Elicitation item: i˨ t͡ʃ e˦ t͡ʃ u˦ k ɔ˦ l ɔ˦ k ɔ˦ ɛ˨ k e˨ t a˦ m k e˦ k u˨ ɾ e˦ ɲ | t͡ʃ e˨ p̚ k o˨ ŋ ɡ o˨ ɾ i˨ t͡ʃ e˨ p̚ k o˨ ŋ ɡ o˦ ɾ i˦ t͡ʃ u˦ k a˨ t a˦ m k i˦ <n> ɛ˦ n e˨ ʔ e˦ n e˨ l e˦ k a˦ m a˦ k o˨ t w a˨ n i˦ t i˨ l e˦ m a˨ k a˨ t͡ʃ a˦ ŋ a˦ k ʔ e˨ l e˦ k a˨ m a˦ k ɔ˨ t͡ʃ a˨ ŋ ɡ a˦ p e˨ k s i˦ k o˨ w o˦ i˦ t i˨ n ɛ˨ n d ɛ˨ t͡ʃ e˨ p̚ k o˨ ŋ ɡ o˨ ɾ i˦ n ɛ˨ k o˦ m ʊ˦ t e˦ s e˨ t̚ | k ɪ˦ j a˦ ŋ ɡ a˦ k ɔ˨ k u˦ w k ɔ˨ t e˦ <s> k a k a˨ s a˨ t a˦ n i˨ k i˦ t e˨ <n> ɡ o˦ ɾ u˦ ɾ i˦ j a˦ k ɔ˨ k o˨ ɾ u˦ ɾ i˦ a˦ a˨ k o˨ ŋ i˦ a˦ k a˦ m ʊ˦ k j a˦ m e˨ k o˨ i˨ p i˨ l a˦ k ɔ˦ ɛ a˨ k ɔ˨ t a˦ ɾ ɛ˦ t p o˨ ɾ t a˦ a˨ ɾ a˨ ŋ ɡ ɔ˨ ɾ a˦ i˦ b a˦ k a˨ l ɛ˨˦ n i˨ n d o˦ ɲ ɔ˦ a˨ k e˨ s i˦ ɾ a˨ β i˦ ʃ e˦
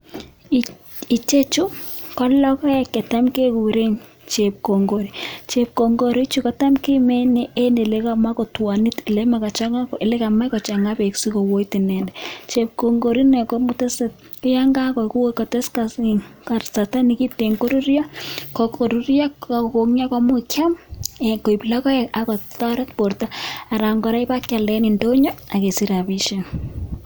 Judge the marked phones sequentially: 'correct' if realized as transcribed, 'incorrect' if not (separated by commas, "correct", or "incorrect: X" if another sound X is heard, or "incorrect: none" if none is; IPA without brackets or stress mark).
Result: incorrect: m, correct, incorrect: ŋ